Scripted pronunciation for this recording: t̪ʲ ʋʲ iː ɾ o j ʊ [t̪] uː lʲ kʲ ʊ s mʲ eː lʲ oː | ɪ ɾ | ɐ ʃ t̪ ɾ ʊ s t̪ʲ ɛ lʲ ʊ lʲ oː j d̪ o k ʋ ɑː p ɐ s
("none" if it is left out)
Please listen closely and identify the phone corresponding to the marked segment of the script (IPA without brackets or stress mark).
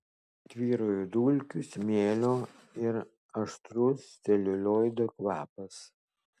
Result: d̪